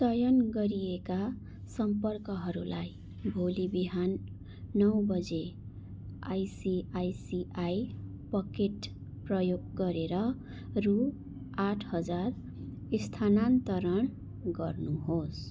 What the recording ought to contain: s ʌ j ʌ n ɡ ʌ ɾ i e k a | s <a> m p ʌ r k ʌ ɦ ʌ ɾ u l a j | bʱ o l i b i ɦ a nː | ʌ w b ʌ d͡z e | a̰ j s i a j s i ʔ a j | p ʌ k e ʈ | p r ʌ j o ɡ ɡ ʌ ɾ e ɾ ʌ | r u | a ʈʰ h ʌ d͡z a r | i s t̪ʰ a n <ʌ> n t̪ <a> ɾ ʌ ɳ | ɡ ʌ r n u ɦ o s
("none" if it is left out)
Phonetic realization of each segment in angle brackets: ʌ, a, ʌ

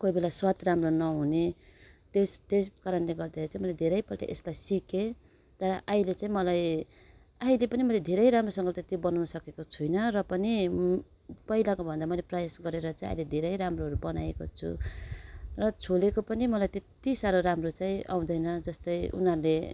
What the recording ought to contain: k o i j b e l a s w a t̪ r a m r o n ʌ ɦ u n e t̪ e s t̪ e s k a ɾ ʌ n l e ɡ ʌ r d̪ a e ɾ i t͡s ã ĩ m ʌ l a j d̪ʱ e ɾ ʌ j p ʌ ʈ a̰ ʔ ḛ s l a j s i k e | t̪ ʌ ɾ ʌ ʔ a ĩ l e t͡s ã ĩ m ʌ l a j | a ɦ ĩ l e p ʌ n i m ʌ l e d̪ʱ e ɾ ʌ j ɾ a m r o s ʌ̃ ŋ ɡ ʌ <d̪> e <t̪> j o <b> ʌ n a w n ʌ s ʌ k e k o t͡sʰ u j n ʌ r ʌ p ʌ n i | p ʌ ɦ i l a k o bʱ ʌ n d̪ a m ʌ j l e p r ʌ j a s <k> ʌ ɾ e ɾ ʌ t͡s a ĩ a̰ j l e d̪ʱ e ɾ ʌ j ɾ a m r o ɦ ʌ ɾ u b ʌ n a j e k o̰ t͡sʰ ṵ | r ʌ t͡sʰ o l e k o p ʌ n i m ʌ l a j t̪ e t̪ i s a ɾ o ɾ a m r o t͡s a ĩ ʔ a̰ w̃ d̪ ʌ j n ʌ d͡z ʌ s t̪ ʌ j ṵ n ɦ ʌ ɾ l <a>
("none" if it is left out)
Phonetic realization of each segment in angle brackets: t̪, t̪, b, ɡ, e

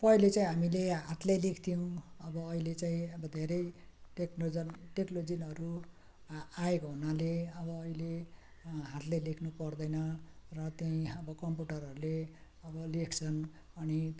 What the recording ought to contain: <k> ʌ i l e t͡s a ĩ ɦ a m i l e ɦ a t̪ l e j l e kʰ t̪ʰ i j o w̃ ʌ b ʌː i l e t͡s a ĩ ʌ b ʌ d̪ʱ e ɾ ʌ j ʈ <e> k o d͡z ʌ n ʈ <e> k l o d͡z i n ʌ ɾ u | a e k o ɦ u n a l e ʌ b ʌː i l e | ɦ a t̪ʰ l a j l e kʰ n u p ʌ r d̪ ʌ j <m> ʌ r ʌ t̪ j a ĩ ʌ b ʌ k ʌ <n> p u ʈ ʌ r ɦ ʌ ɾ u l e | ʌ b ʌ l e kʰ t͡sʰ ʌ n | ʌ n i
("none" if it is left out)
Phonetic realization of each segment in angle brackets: p, e, e, n, m

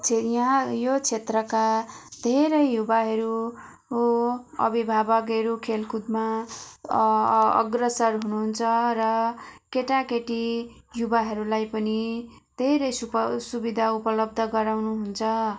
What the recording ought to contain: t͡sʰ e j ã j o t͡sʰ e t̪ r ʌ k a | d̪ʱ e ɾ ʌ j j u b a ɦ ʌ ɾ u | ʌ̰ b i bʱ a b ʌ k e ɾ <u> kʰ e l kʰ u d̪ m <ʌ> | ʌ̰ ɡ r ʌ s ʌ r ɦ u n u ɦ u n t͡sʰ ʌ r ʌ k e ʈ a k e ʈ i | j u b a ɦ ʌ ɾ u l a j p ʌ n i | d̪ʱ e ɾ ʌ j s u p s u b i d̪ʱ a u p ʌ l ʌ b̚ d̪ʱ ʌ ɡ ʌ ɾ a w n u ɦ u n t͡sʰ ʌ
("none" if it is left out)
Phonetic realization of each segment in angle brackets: u, a

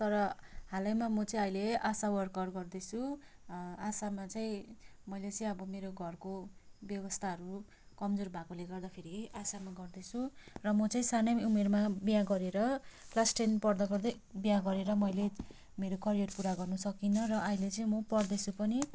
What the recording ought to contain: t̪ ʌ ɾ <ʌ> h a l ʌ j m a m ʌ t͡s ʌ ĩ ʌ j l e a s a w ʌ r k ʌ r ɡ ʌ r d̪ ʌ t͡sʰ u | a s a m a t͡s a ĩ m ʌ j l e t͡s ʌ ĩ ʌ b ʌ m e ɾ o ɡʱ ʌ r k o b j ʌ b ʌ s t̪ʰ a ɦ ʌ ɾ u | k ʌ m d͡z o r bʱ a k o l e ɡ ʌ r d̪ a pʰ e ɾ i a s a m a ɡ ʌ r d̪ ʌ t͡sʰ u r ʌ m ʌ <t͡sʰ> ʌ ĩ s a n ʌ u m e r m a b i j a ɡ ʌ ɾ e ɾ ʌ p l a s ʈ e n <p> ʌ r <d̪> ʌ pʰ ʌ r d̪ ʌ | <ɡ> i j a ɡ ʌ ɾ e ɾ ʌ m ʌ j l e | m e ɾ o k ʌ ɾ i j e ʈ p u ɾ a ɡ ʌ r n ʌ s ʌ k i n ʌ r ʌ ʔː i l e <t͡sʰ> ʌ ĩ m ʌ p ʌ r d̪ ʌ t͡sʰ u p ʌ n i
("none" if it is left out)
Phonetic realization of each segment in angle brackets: ʌ, t͡s, p, d̪, b, t͡s

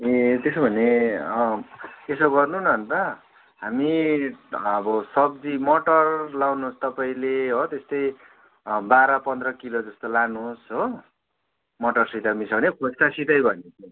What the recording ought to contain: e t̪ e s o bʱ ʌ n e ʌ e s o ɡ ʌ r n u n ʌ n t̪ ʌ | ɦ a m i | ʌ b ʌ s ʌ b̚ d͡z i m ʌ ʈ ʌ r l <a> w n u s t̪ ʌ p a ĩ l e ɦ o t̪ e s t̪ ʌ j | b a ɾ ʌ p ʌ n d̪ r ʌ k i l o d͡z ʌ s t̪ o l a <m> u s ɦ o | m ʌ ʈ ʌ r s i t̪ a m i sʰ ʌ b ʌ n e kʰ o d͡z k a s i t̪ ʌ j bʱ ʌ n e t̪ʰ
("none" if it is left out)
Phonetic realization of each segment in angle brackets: a, n

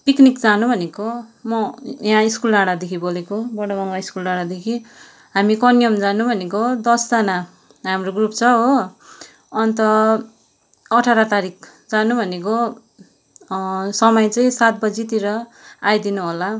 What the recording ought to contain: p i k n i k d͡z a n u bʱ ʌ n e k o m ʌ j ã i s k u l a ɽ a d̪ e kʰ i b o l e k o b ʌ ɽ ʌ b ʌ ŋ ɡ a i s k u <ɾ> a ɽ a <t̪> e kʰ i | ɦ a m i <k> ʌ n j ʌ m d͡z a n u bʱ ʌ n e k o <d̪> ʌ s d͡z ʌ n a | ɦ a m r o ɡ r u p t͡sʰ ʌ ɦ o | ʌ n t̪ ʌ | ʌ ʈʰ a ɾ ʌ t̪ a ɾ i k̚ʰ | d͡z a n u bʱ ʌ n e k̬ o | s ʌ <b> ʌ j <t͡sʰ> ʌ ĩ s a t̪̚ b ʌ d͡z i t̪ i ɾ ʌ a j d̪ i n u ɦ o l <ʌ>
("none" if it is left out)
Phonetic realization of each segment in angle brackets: l, d̪, k, d̪, m, t͡s, a

